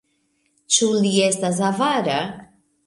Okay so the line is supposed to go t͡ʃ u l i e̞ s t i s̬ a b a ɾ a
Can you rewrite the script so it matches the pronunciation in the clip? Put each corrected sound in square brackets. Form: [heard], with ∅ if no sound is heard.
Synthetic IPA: t͡ʃ u l i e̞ s t [a] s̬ a [v] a ɾ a